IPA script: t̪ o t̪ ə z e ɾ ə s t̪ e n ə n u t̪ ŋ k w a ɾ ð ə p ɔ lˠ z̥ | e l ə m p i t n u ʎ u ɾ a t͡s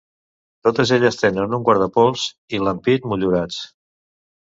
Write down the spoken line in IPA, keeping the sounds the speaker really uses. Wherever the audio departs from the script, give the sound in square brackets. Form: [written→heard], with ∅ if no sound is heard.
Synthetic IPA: t̪ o t̪ ə z e [ɾ→ʎ] ə s t̪ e n ə n u [t̪→∅] ŋ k w a ɾ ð ə p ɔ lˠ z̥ | [e→i] l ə m p i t [n→m] u ʎ u ɾ a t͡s